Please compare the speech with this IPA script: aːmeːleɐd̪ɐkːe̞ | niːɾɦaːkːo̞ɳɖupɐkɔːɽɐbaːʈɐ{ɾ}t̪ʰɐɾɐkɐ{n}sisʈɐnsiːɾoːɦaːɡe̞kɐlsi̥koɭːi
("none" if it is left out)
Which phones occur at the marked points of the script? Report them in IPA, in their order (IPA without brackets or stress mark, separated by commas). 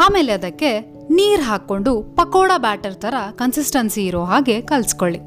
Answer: ɾ, n